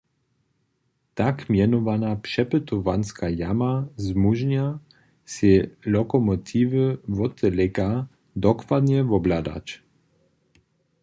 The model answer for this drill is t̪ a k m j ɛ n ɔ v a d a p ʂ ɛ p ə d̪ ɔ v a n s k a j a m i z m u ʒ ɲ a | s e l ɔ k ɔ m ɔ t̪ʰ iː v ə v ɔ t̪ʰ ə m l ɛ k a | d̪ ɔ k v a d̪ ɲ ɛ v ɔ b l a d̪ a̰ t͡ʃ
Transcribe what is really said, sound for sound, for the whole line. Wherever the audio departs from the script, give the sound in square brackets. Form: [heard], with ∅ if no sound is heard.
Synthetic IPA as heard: t̪ a k m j ɛ n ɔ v a [n] a p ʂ ɛ p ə [t̪] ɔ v a n s k a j a m [a] z m u ʒ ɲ a | s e l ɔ k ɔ m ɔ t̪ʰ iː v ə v ɔ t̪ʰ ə [∅] l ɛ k a | d̪ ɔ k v a d̪ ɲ ɛ v ɔ b l a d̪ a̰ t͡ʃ